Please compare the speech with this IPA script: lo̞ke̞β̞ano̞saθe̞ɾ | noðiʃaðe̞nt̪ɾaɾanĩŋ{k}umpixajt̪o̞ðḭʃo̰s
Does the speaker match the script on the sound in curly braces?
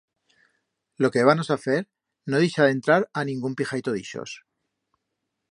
no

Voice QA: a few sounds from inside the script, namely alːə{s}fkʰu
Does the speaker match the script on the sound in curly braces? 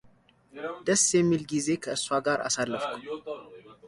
no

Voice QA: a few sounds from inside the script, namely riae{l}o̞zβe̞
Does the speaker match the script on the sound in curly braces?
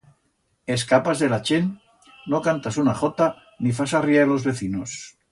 yes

